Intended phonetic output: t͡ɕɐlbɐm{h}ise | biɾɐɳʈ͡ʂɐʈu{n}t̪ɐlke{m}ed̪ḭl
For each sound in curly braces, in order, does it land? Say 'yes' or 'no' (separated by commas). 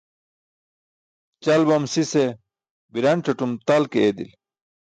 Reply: no, no, no